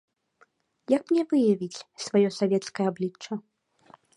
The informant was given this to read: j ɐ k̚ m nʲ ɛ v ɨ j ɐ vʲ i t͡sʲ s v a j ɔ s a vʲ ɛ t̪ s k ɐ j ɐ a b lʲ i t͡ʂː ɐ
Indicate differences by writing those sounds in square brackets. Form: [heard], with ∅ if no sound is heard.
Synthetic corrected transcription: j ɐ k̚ m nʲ ɛ v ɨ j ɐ vʲ i t͡sʲ s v a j ɔ s a vʲ ɛ t̪ s k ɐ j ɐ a b lʲ i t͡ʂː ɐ